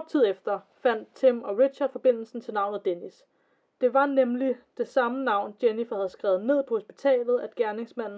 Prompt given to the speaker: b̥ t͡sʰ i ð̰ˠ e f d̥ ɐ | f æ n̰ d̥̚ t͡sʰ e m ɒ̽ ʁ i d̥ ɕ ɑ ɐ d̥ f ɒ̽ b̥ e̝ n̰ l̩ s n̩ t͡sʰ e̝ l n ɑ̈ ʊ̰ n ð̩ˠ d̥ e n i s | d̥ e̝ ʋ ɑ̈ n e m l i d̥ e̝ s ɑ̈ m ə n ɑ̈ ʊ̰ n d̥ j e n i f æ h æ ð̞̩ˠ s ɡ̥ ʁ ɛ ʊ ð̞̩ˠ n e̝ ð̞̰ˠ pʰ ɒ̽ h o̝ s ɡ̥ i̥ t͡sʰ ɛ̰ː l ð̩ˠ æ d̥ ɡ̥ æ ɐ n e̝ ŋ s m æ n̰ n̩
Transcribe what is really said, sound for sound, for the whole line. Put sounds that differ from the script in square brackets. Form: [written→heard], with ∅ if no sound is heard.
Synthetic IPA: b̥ t͡sʰ i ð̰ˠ e f d̥ ɐ | f æ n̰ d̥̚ t͡sʰ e m ɒ̽ ʁ i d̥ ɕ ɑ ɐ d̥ f ɒ̽ b̥ e̝ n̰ l̩ s n̩ t͡sʰ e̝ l n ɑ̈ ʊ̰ n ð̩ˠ d̥ e n i s | d̥ e̝ ʋ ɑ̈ n e m l i d̥ e̝ s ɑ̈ m ə n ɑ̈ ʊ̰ n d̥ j e n i f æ h æ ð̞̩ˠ s ɡ̥ ʁ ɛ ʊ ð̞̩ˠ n e̝ ð̞̰ˠ pʰ ɒ̽ h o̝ s [ɡ̥→b̥] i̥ t͡sʰ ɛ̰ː l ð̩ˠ æ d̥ ɡ̥ æ ɐ n e̝ ŋ s m æ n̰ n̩